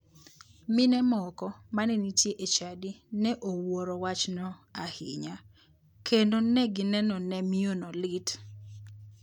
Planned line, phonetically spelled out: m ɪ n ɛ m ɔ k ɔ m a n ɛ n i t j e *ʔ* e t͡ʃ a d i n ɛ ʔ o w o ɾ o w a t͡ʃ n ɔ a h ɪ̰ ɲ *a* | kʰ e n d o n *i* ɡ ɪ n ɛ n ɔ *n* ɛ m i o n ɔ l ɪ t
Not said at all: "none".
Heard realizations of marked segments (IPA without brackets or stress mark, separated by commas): ʔ, a, ɛ, n